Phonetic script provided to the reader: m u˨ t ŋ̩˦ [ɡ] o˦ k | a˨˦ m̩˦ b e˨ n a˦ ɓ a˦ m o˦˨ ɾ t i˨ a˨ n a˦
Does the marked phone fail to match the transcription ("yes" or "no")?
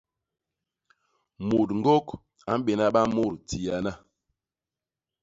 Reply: no